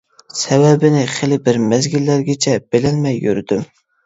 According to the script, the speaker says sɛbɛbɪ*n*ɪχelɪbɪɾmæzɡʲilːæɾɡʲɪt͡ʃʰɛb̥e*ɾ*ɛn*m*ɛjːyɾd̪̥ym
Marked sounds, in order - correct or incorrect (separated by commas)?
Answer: correct, incorrect, correct